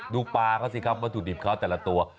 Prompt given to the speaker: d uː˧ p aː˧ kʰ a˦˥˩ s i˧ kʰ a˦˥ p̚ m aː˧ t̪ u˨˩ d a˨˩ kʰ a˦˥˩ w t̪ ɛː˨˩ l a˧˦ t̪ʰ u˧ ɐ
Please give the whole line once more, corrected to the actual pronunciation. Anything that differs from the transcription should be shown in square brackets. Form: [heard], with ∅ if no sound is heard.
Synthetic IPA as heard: d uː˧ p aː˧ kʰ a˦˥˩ s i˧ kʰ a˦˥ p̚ m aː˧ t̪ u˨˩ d [i˨˩] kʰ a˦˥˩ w t̪ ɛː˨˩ l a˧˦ [t̪] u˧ ɐ